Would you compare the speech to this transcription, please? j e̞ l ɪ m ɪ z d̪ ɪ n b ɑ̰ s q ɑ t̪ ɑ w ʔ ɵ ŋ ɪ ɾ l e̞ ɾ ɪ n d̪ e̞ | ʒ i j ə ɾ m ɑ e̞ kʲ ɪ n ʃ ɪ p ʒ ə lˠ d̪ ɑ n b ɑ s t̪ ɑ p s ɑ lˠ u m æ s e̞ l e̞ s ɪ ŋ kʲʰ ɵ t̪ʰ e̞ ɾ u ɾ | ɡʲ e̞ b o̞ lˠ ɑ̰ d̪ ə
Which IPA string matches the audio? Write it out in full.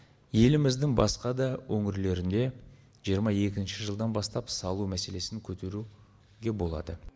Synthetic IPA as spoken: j e̞ l ɪ m ɪ z d̪ ɪ ŋ b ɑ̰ s q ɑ d̪ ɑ w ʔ ɵ ŋ ɪ ɾ l e̞ ɾ ɪ n d̪ e̞ | ʒ i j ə ɾ m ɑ e̞ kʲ ɪ n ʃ ɪ ʒ ə lˠ d̪ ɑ n b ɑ s t̪ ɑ p s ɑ lˠ u m æ s e̞ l e̞ s ɪ ŋ kʲʰ ɵ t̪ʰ e̞ ɾ u | ɡʲ e̞ b o̞ lˠ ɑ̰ d̪ ə